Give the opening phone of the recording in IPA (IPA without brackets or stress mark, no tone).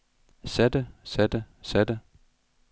s